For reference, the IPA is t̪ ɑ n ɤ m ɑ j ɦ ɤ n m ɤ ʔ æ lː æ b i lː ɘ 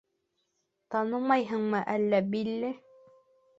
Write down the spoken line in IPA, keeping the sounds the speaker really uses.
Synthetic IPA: t̪ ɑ n ɤ m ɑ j ɦ ɤ ɴ m ɤ ʔ æ lː æ b i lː ɘ

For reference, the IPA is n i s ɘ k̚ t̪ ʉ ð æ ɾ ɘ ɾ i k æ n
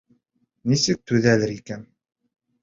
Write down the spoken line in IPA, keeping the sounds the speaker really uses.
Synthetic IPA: n i s ɘ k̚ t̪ ʉ ð æ l ɘ ɾ i k æ n

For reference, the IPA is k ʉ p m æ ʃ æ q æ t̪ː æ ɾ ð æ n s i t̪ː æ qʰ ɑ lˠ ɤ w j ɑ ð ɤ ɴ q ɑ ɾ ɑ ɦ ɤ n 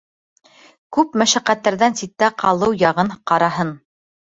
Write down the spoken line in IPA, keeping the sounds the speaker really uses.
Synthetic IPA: k ʉ p m æ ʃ æ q æ t̪ː æ ɾ ð æ n s i t̪ː æ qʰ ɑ lˠ ɤ w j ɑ ʁ ɤ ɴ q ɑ ɾ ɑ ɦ ɤ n

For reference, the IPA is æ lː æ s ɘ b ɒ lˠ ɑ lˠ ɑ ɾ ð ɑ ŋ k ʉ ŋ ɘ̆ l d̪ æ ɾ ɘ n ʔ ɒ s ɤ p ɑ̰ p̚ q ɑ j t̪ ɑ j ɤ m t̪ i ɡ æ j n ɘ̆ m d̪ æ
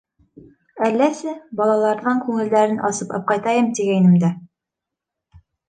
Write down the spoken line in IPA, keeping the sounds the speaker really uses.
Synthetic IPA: æ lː æ s ɘ b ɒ lˠ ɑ lˠ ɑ ɾ ð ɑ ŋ k ʉ ŋ ɘ̆ l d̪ æ ɾ ɘ n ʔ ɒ s ɤ p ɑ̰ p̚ q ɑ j t̪ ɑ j ɤ m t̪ i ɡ æ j n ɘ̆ m d̪ æ

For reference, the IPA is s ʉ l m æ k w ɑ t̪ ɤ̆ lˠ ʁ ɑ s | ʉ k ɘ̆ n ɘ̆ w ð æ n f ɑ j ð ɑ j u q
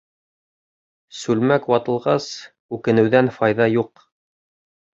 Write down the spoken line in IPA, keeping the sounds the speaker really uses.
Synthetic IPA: s ʉ l m æ k w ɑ t̪ ɤ̆ lˠ ʁ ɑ s | ʉ k ɘ̆ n ɘ̆ w ð æ n f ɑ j ð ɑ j u q

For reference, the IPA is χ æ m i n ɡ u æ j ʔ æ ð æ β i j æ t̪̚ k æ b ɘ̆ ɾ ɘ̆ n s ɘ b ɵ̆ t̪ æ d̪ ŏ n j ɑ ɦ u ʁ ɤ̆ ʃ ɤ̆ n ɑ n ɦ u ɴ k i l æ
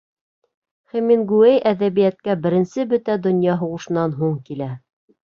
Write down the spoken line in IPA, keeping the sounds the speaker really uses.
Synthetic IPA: χ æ m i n ɡ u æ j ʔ æ ð æ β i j æ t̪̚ k æ b ɘ̆ ɾ ɘ̆ n s ɘ b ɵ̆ t̪ æ d̪ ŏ n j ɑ ɦ u ʁ ɤ̆ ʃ ɤ̆ n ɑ n ɦ u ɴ k i l æ

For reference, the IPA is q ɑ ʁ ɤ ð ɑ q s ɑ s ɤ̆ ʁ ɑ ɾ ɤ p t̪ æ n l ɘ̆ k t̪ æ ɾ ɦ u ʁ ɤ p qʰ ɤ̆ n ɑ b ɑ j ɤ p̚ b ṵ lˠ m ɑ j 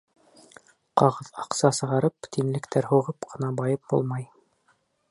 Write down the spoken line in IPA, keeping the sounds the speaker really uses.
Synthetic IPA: q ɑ ʁ ɤ ð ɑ q s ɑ s ɤ̆ ʁ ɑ ɾ ɤ p t̪ i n l ɘ̆ k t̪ æ ɾ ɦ u ʁ ɤ p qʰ ɤ̆ n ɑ b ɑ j ɤ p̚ b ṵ lˠ m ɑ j

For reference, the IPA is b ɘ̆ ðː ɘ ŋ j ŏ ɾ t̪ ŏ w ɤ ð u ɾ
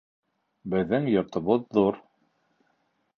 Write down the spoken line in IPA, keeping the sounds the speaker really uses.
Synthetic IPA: b ɘ̆ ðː ɘ ŋ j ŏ ɾ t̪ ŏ β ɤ ðː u ɾ

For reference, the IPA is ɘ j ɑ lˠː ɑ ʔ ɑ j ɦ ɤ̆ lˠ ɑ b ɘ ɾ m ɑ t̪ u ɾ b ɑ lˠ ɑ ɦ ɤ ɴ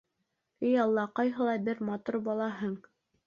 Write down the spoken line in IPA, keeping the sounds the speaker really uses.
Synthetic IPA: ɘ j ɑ lˠː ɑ q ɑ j ɦ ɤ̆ lˠ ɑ b ɘ ɾ m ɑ t̪ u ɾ b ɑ lˠ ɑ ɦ ɤ ɴ

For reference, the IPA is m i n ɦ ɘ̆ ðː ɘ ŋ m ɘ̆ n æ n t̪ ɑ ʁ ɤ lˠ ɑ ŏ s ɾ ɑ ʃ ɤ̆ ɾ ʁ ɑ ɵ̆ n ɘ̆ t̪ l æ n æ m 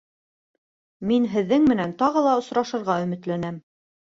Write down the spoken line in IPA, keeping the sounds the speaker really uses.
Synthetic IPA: m i n ɦ ɘ̆ ðː ɘ ŋ m ɘ̆ n æ n t̪ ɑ ʁ ɤ lˠ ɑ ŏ s ɾ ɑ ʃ ɤ̆ ɾ ʁ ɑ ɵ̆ m ɘ̆ t̪ l æ n æ m

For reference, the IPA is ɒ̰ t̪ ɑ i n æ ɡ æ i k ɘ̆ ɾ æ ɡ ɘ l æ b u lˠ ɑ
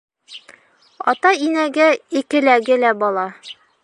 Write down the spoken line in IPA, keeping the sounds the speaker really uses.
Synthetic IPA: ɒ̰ t̪ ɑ i n æ ɡ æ i k ɘ̆ l æ ɡ ɘ l æ b ɒ lˠ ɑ

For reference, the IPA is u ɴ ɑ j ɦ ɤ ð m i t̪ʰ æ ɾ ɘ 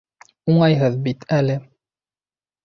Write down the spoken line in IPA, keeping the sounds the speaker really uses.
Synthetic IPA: u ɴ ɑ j ɦ ɤ ð b i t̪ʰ æ l ɘ

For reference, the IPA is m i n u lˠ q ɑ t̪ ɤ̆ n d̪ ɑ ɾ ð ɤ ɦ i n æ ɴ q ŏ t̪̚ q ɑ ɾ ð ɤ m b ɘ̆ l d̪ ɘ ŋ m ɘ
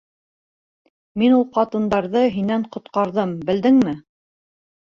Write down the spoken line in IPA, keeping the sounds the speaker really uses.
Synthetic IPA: m i n u lˠ q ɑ t̪ ɤ̆ n d̪ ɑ ɾ ð ɤ ɦ i n æ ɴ q ŏ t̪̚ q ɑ ɾ ð ɤ m b ɘ̆ l d̪ ɘ ŋ m ɘ

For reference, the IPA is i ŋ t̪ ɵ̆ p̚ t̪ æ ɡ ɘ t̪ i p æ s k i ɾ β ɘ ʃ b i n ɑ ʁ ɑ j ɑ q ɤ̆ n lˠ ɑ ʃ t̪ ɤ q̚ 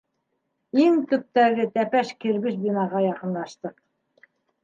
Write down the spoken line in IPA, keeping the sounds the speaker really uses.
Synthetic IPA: i ŋ t̪ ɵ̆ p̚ t̪ æ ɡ ɘ t̪ æ p æ ʃ k i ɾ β ɘ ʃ b i n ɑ ʁ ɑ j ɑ q ɤ̆ n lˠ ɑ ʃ t̪ ɤ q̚

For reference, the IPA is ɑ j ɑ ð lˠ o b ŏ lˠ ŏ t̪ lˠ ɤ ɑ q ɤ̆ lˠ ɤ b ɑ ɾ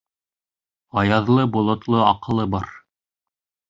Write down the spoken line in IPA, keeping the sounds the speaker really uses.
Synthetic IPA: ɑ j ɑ ð lˠ ɤ b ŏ lˠ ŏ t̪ lˠ ɤ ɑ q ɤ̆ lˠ ɤ b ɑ ɾ

